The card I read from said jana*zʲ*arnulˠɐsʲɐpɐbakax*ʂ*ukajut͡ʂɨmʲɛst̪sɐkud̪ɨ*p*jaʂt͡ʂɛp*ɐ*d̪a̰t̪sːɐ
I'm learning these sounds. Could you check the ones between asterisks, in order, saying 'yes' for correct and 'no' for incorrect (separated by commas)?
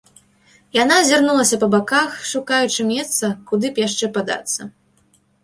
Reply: yes, yes, yes, no